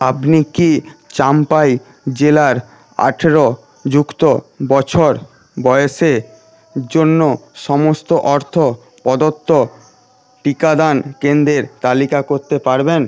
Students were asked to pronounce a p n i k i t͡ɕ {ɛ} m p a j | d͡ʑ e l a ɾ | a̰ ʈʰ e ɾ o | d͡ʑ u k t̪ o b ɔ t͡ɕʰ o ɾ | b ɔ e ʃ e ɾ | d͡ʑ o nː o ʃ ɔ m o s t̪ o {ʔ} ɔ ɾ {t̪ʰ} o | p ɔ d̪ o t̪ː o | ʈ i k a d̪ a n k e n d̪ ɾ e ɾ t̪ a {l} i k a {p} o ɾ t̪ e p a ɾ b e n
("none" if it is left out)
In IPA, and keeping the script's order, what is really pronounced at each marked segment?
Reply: a, ʔ, t̪ʰ, l, k

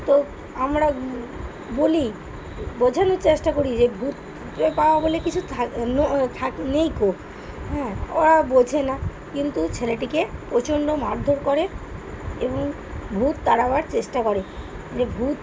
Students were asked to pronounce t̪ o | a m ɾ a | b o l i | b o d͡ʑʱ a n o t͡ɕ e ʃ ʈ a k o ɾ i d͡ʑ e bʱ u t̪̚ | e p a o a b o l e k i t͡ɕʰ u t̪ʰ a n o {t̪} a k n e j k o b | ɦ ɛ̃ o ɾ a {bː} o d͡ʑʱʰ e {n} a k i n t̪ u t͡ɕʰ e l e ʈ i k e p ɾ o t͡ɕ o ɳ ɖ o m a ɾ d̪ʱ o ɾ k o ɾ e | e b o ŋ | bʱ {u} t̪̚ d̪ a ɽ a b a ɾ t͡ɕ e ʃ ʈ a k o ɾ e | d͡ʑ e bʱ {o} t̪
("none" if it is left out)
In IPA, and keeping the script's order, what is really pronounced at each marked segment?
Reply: t̪ʰ, b, n, u, u

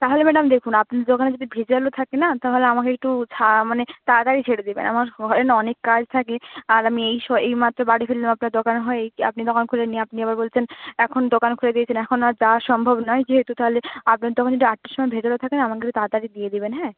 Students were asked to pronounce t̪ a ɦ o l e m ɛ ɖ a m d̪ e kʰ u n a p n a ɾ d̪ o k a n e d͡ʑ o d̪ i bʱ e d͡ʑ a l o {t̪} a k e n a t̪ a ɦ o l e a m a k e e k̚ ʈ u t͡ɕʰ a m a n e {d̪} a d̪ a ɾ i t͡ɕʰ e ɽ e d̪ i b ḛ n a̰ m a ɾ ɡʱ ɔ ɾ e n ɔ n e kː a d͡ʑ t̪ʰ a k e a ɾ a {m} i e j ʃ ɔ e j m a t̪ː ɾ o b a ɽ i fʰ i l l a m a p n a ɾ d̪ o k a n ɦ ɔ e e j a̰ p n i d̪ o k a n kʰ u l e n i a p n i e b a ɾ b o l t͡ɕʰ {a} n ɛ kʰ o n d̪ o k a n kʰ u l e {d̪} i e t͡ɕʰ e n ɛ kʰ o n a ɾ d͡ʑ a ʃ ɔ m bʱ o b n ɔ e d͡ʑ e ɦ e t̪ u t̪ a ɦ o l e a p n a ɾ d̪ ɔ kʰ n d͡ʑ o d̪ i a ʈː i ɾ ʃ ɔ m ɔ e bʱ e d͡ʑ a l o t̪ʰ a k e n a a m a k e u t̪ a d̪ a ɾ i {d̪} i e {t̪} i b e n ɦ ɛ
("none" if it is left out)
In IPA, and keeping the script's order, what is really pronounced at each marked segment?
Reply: t̪ʰ, t̪, m, e, d̪, d̪, d̪

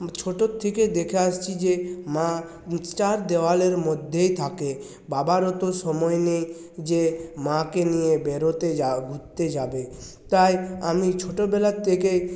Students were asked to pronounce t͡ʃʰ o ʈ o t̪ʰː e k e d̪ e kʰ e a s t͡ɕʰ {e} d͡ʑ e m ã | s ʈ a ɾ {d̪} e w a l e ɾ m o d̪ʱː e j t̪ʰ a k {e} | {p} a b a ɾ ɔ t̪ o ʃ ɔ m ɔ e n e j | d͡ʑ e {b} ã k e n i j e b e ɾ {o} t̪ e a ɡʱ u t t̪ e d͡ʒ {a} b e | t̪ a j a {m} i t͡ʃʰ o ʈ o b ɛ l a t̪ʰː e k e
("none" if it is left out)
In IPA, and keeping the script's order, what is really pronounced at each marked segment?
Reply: i, d̪, e, b, m, o, a, m

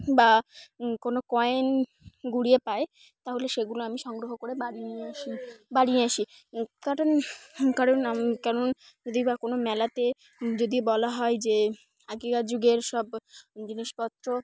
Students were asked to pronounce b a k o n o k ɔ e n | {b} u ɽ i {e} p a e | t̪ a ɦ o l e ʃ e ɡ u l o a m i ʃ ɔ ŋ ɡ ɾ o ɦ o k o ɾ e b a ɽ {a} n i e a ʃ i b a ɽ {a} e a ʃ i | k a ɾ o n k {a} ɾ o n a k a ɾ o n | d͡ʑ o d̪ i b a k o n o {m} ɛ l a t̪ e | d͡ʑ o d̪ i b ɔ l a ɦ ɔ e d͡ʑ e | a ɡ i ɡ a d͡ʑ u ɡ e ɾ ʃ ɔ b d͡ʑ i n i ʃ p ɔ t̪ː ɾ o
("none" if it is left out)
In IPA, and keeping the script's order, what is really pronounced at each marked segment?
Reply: ɡ, e, i, i, a, m

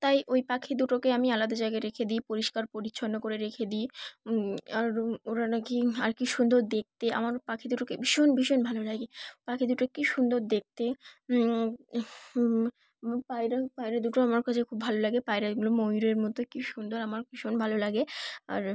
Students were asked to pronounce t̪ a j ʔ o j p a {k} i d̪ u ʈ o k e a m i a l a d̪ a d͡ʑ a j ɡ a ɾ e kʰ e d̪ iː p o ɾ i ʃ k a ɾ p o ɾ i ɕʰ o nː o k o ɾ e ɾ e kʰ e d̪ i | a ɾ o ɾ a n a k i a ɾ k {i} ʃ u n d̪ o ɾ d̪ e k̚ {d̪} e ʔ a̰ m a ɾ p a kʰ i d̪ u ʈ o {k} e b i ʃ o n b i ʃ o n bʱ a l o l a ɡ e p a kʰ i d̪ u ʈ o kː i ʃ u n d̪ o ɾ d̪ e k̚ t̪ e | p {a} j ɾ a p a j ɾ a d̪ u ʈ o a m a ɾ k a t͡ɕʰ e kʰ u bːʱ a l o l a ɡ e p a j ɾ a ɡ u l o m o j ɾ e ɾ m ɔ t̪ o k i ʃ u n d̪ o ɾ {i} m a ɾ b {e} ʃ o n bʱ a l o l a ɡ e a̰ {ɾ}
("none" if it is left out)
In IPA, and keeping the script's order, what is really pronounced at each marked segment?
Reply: kʰ, i, t̪, k, a, a, i, ɾ

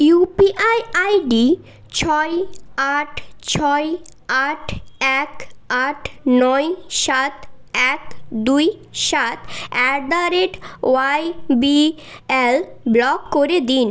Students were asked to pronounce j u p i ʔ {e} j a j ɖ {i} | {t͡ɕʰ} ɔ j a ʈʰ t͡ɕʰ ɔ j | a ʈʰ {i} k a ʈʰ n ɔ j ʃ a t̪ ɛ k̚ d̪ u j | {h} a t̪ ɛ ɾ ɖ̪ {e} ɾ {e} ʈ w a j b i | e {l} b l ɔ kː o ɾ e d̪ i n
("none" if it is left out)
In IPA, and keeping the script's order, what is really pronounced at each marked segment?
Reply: a, i, t͡ɕʰ, ɛ, ʃ, a, e, l

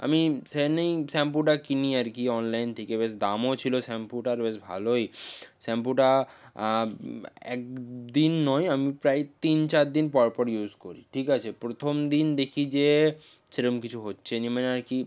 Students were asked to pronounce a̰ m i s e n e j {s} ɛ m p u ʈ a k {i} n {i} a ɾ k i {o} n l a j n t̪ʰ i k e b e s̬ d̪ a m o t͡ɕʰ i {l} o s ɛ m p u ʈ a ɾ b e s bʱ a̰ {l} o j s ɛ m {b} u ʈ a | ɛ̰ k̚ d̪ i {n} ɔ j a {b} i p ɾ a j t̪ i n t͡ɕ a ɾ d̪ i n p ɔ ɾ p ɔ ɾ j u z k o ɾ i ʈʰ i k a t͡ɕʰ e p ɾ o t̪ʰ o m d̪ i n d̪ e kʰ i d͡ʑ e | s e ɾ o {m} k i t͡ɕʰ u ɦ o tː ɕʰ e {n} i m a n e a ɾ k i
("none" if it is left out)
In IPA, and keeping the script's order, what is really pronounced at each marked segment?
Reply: s, i, i, ɔ, l, l, p, nː, m, m, n

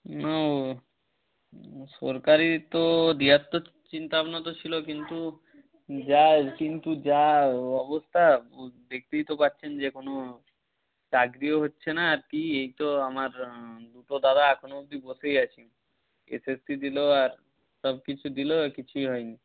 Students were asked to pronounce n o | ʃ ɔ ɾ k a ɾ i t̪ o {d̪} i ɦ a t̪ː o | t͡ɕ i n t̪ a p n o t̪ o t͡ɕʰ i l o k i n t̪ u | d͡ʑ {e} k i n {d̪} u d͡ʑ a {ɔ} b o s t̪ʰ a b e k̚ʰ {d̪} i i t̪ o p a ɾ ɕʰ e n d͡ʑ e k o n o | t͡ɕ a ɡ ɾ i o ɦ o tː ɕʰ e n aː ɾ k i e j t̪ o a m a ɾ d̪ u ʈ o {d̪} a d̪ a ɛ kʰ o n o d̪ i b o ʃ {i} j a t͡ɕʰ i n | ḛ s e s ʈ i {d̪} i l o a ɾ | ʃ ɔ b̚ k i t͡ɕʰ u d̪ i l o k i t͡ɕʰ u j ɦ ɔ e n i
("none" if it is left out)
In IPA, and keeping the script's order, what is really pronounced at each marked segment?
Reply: d̪, a, t̪, ɔ, t̪, d̪, e, d̪

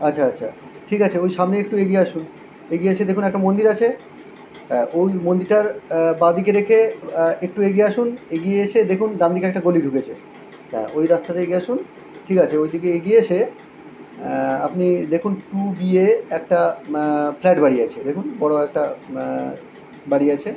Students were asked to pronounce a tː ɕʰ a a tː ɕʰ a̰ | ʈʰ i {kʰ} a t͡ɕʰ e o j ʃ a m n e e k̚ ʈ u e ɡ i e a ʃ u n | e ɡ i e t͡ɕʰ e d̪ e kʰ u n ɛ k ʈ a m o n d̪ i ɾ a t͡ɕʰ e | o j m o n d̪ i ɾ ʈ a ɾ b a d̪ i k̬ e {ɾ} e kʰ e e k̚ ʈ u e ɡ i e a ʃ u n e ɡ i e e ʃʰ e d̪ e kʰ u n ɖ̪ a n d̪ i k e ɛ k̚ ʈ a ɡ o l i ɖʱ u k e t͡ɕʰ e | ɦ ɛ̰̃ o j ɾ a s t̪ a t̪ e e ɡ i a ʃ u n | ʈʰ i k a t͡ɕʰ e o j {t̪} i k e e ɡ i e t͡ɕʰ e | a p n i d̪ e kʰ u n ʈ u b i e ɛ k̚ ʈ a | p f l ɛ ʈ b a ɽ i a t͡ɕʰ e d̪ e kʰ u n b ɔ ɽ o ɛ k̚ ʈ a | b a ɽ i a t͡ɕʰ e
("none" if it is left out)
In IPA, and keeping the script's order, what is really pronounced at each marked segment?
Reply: k, ɾ, d̪

